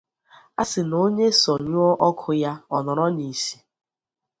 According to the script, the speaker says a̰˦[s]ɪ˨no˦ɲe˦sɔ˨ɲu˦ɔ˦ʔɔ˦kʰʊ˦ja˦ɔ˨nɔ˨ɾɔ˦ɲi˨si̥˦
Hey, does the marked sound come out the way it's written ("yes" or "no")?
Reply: yes